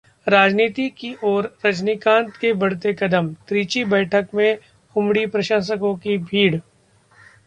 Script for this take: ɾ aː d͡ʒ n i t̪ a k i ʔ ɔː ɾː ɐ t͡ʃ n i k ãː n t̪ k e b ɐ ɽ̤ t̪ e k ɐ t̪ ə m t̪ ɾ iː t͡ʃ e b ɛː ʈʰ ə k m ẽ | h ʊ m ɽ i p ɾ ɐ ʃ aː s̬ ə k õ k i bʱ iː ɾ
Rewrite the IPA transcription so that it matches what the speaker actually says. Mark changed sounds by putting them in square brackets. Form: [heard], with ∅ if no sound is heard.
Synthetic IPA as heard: ɾ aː d͡ʒ n [iː] t̪ [i] k i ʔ ɔː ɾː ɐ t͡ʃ n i k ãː n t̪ k e b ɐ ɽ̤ t̪ e k ɐ [d̪] ə m t̪ ɾ iː t͡ʃ [i] b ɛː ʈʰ ə k m ẽ | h ʊ m ɽ i p ɾ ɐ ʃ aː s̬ ə k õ k i bʱ iː [ɽ]